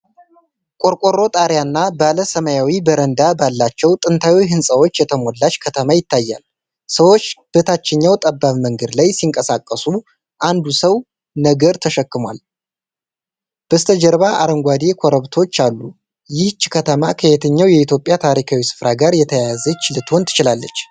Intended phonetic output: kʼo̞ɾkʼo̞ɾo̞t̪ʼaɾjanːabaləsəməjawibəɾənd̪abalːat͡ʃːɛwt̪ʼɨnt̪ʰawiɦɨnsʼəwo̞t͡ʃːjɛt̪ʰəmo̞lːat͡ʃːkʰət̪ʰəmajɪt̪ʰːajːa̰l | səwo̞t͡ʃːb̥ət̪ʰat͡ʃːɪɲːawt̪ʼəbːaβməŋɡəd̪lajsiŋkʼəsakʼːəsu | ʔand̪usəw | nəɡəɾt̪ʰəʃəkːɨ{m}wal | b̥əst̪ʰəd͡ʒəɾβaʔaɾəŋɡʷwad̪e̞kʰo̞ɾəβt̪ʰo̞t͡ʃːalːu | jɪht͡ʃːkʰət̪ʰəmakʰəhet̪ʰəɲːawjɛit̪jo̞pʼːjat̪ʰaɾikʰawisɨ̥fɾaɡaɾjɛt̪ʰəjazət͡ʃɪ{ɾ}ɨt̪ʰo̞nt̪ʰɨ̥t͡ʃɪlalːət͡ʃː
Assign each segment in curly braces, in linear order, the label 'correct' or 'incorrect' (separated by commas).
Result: correct, incorrect